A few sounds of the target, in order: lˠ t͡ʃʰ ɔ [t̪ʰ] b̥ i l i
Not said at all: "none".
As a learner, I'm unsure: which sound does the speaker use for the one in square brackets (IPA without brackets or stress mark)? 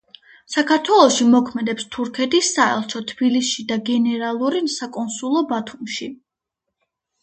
t̪ʰ